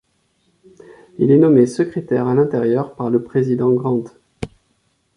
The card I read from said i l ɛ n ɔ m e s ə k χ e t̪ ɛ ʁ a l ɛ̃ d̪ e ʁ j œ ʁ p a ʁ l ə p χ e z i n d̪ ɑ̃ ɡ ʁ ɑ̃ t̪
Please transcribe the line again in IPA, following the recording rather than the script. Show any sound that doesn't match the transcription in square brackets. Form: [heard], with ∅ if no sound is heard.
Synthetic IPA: i l ɛ n ɔ m e s ə k χ e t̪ ɛ ʁ a l ɛ̃ [t̪] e ʁ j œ ʁ p a ʁ l ə p χ e z i [∅] d̪ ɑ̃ ɡ ʁ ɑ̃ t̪